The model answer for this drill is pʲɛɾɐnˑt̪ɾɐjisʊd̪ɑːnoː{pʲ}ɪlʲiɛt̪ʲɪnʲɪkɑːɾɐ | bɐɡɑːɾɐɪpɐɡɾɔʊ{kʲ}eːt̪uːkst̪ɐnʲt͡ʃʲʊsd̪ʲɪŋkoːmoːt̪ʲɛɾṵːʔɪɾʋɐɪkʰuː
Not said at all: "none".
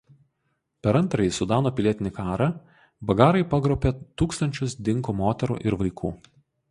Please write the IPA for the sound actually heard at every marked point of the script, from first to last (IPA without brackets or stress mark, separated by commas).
pʲ, pʲ